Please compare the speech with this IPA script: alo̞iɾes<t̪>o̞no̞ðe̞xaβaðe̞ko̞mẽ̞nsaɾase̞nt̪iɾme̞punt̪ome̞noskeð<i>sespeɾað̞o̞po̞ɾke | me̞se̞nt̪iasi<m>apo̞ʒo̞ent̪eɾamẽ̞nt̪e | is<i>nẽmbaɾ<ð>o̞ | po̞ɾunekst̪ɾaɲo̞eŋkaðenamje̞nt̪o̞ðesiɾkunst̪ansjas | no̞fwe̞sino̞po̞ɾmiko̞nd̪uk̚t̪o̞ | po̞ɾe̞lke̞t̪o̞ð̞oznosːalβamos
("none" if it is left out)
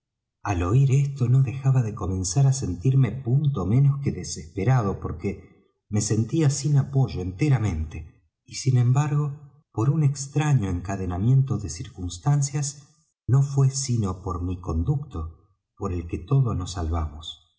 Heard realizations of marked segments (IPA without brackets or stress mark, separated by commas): t̪, e, n, i, ɣ